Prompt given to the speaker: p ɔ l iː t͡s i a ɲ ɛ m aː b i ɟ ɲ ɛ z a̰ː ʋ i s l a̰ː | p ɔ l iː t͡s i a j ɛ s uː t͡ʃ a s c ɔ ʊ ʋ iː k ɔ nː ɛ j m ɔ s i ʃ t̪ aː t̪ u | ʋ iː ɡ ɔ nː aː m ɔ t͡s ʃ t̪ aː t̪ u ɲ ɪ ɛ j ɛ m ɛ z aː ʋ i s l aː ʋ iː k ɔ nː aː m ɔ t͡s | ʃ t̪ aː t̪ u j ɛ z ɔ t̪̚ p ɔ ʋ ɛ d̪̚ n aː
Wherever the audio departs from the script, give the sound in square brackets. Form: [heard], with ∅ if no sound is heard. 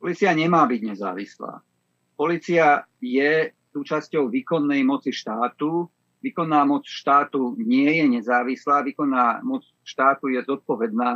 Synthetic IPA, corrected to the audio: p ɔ l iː t͡s i a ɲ ɛ m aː b i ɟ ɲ ɛ z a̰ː ʋ i s l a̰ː | p ɔ l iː t͡s i a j ɛ s uː t͡ʃ a s c ɔ ʊ ʋ iː k ɔ nː ɛ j m ɔ [t͡s] i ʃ t̪ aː t̪ u | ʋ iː [k] ɔ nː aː m ɔ t͡s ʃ t̪ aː t̪ u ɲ ɪ ɛ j ɛ [ɲ] ɛ z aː ʋ i s l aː ʋ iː k ɔ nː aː m ɔ t͡s | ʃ t̪ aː t̪ u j ɛ z ɔ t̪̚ p ɔ ʋ ɛ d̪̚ n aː